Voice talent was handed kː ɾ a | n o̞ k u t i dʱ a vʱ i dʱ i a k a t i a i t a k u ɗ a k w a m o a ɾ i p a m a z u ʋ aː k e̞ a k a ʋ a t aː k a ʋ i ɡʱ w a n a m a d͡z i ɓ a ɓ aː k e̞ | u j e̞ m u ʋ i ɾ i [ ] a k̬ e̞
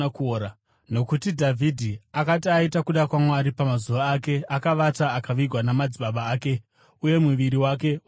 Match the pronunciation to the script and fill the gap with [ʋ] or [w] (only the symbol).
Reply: w